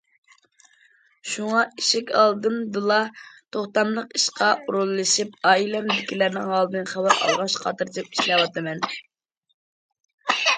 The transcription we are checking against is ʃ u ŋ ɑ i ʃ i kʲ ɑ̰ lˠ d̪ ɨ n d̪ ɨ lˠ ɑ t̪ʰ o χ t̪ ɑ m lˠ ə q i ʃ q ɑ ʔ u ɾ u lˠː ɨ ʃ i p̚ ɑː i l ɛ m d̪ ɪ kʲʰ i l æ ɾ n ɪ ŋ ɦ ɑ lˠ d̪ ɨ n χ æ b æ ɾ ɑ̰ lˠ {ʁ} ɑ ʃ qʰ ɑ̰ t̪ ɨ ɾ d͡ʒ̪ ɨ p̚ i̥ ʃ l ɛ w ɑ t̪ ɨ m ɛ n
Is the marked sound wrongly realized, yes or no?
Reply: no